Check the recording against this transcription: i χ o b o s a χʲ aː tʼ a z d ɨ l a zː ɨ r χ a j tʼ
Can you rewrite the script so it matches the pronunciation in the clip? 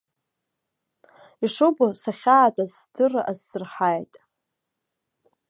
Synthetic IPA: i ʂ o b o s a χʲ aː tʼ a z d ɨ r a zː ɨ r ħ a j tʼ